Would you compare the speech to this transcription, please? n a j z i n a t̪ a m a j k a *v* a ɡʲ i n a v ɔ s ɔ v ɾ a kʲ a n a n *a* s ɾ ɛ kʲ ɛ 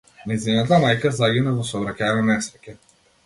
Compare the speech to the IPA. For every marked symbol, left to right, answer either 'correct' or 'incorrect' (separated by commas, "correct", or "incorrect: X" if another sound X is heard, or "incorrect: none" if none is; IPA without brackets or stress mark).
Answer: incorrect: z, incorrect: ɛ